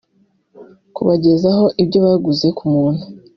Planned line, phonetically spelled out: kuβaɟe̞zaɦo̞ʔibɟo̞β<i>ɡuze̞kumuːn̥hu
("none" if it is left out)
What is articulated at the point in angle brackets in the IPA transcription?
a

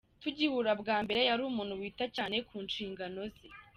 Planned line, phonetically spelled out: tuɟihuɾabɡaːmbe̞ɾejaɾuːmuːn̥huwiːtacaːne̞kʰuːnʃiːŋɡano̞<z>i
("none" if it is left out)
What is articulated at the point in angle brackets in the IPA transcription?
z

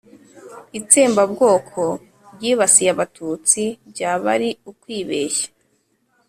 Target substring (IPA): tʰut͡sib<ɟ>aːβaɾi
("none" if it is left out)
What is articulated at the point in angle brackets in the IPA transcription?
ɟ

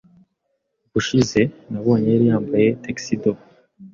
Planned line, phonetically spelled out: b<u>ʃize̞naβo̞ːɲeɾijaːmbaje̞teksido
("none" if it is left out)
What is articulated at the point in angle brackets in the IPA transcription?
u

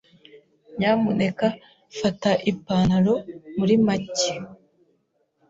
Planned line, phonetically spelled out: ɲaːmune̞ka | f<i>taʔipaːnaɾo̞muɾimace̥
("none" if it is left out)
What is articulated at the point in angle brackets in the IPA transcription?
a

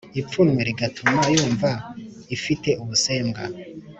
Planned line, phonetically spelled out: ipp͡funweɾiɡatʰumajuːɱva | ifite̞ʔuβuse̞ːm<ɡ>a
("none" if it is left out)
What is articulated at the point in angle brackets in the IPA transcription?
ɡ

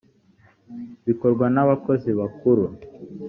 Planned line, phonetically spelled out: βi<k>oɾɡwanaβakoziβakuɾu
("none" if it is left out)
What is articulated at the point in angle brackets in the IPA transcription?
k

